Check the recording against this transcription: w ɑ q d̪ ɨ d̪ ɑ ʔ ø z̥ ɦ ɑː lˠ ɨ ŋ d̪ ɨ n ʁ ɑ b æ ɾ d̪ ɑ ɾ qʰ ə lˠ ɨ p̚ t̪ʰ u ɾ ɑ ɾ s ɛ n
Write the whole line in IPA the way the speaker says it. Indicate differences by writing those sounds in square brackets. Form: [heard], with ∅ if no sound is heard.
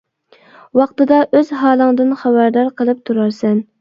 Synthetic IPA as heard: w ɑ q [t̪] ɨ d̪ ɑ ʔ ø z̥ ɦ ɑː lˠ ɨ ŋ d̪ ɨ n [χ] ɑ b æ ɾ d̪ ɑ ɾ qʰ ə lˠ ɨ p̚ t̪ʰ u ɾ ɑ ɾ s ɛ n